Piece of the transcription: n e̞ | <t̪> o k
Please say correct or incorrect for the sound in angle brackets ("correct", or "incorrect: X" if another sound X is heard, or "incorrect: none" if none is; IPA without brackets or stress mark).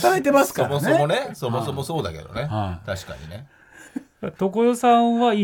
correct